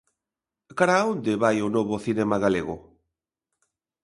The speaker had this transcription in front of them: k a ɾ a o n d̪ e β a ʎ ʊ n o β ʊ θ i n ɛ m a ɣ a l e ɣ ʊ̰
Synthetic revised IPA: k a ɾ a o n d̪ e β a j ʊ n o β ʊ θ i n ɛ m a ɣ a l e ɣ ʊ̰

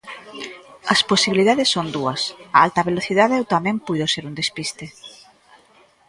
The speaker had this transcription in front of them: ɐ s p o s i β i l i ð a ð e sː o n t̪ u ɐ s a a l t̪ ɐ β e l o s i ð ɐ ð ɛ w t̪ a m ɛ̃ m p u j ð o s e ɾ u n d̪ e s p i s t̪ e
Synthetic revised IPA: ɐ s p o s i β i l i ð a ð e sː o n d̪ u ɐ s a a l t̪ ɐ β e l o θ i ð a ð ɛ w t̪ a m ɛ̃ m p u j ð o s e ɾ u n d̪ e s p i s t̪ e

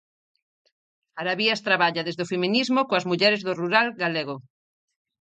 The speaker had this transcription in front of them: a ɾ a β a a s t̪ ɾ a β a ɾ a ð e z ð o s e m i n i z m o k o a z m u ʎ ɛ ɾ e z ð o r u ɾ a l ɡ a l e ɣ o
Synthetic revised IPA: a ɾ a β i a s t̪ ɾ a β a ʎ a ð e z ð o f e m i n i z m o k o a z m u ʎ ɛ ɾ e z ð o r u ɾ a l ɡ a l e ɣ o

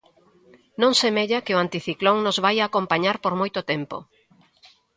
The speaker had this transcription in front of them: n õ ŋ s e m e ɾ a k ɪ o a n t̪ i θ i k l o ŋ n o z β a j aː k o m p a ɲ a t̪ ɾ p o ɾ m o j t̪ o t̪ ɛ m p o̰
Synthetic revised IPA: n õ ŋ s e m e ʎ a k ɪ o a n t̪ i θ i k l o ŋ n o z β a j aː k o m p a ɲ a ɾ p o ɾ m o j t̪ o t̪ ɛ m p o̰

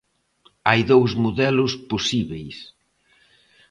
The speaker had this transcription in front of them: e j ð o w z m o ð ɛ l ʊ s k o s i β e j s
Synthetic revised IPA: a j ð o w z m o ð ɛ l ʊ s p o s i β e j s

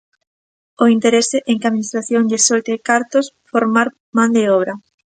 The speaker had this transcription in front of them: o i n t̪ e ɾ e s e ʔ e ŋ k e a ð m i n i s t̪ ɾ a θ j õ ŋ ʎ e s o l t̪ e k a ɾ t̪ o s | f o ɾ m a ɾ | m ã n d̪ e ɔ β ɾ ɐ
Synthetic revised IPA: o i n t̪ e ɾ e s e ʔ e ŋ k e a ð m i n i s t̪ ɾ a θ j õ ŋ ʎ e s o l t̪ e k a ɾ t̪ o s | f o ɾ m a ɾ | m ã n d̪ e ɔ β ɾ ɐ

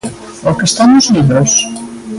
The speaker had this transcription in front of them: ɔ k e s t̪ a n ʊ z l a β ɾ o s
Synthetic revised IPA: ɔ k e s t̪ a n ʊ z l i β ɾ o s

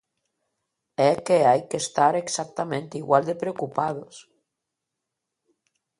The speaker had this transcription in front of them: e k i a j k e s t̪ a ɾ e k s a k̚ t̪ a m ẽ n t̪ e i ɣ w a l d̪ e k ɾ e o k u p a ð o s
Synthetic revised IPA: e k e a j k e s t̪ a ɾ e k s a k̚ t̪ a m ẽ n t̪ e i ɣ w a l d̪ e p ɾ e o k u p a ð o s

